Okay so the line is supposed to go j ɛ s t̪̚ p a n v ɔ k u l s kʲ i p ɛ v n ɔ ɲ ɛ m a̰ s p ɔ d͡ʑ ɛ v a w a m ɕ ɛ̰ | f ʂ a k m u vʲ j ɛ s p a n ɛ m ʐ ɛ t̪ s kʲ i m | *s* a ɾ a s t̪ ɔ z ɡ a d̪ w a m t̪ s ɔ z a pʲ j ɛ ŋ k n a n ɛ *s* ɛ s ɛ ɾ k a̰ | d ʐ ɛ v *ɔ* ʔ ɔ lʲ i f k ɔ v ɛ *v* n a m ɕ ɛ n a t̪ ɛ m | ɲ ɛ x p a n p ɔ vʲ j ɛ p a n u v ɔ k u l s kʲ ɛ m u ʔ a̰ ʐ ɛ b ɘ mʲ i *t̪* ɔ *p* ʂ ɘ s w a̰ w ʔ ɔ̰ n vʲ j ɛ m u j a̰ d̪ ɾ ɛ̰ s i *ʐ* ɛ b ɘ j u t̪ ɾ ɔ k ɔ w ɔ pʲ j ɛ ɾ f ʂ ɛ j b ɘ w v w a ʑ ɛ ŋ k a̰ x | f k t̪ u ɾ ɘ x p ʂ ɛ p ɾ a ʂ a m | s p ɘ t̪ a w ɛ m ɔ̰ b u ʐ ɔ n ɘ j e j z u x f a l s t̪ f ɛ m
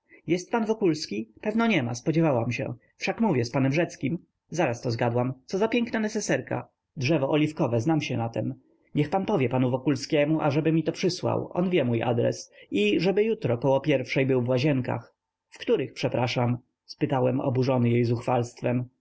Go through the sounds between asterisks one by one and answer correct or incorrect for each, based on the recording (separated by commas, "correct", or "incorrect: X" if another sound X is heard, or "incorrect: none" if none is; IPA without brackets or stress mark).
incorrect: z, correct, correct, incorrect: z, correct, correct, correct